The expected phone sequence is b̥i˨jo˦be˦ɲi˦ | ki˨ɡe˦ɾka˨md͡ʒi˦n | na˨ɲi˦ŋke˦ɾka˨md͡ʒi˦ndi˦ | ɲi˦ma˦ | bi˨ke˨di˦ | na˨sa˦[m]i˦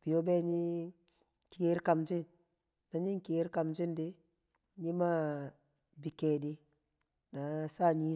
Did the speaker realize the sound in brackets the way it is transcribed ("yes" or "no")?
no